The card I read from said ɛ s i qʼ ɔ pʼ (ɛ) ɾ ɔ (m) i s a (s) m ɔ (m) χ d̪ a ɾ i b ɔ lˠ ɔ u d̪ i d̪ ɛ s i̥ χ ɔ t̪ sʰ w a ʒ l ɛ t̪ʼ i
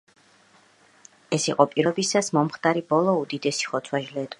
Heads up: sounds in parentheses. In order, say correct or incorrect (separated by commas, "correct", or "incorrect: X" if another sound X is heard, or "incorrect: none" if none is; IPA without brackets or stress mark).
incorrect: i, incorrect: b, correct, correct